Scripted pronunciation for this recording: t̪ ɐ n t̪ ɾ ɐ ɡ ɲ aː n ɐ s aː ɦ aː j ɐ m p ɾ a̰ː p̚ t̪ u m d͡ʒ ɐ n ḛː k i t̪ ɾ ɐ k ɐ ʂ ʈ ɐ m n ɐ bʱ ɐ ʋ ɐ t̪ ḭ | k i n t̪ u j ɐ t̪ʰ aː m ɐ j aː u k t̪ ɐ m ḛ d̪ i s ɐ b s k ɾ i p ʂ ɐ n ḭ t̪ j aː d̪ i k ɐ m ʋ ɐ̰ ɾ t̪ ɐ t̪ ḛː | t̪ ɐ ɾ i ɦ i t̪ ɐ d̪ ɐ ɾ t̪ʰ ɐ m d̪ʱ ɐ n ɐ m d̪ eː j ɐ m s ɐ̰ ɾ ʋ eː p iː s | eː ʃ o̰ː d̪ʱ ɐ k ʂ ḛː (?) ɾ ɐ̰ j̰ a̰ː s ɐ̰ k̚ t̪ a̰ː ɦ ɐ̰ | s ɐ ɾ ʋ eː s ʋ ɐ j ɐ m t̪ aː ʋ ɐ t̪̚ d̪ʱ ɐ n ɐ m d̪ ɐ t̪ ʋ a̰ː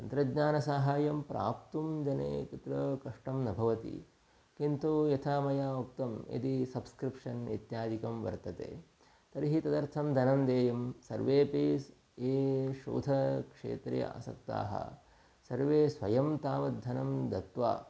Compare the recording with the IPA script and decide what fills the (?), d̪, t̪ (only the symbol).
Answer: t̪